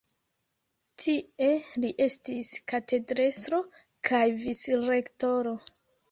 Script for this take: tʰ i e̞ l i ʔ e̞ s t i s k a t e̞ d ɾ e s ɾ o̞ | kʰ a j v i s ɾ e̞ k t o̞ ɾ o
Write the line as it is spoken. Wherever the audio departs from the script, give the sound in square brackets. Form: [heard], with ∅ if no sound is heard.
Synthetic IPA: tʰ i e̞ l i ʔ e̞ s t i s k a t e̞ d ɾ e s ɾ o̞ | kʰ a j v i s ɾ e̞ k t o̞ ɾ o